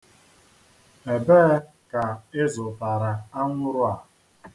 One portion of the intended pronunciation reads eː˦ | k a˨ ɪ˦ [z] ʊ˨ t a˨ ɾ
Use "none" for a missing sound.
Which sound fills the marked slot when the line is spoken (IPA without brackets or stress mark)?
z